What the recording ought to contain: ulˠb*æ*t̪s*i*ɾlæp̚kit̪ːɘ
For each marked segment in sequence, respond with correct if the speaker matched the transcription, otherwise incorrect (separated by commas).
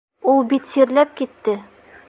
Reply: incorrect, correct